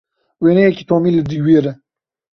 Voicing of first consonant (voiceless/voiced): voiced